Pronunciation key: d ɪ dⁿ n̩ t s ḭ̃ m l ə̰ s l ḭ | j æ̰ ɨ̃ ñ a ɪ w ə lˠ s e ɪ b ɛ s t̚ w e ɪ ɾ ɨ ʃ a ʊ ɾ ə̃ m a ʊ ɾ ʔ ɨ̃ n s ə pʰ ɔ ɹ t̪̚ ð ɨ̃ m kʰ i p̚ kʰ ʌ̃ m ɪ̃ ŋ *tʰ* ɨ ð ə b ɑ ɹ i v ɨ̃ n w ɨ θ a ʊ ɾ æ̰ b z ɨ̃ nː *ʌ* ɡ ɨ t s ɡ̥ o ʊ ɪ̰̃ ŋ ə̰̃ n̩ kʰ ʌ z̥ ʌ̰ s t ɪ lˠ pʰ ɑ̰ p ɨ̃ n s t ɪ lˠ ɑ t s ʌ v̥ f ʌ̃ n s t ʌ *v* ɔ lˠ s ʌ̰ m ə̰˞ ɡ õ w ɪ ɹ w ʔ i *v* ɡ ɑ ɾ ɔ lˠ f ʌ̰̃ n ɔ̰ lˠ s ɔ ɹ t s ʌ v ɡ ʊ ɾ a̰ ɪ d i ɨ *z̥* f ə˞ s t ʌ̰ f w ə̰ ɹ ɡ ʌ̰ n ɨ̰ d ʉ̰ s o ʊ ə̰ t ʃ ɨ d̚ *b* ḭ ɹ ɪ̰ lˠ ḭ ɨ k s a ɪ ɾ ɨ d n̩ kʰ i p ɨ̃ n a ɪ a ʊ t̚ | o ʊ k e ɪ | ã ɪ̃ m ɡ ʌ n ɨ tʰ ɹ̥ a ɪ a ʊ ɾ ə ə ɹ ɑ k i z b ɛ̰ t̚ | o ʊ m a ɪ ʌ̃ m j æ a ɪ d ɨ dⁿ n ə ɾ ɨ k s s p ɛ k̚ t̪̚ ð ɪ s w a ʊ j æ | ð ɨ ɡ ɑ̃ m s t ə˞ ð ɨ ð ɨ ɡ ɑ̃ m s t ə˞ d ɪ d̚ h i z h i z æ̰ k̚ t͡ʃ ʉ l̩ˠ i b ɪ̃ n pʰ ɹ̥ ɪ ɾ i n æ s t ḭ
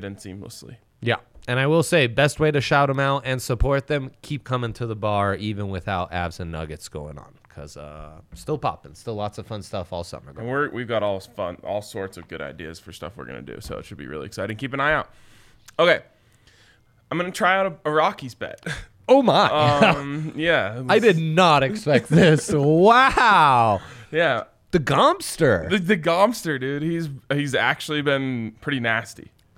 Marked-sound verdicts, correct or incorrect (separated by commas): correct, correct, incorrect, correct, correct, correct